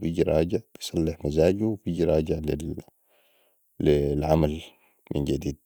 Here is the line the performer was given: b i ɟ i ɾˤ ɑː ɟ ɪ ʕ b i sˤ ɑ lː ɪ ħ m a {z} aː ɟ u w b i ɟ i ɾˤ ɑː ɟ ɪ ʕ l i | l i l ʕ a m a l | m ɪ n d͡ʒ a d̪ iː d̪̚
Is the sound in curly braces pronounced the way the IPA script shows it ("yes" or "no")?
yes